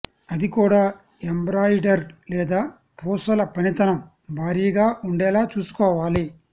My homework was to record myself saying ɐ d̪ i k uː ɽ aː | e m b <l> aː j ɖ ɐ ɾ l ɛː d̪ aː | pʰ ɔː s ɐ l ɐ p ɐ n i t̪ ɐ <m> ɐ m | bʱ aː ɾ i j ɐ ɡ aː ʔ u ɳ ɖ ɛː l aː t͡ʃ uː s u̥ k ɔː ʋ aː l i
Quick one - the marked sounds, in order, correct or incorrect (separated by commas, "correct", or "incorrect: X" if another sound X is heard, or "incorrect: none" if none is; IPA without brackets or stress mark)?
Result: incorrect: ɾ, incorrect: n